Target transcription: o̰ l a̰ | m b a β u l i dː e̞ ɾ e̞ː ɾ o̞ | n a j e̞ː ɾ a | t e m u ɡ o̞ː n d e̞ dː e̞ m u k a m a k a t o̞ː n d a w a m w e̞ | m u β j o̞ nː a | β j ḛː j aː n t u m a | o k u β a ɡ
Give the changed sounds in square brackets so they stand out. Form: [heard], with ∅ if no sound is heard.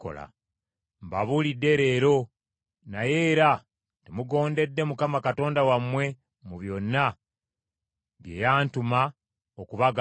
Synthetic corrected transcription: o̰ l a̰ | m b a β u l i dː e̞ ɾ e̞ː ɾ o̞ | n a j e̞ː ɾ a | t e m u ɡ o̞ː n d e̞ dː e̞ m u k a m a k a t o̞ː n d a w a m w e̞ | m u β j o̞ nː a | β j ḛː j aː n t u m a | o k u β a ɡ